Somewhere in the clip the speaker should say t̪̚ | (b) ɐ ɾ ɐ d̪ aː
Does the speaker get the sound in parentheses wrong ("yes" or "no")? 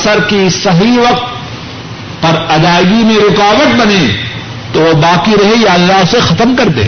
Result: yes